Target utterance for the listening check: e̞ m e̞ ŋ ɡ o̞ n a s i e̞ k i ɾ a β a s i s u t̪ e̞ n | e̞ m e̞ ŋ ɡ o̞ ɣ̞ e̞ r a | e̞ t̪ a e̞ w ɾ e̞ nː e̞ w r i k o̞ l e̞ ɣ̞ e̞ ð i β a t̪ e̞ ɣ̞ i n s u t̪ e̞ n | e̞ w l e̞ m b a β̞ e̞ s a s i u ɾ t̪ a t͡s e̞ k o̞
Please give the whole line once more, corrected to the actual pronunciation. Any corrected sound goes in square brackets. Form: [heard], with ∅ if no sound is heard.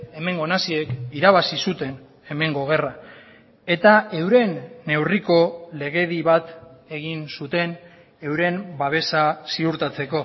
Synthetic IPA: e̞ m e̞ ŋ ɡ o̞ n a s i e̞ k i ɾ a β a s i s u t̪ e̞ n | e̞ m e̞ ŋ ɡ o̞ ɣ̞ e̞ r a | e̞ t̪ a e̞ w ɾ e̞ nː e̞ w r i k o̞ l e̞ ɣ̞ e̞ ð i β a t̪ e̞ ɣ̞ i n s u t̪ e̞ n | e̞ w [ɾ] e̞ m b a β̞ e̞ s a s i u ɾ t̪ a t͡s e̞ k o̞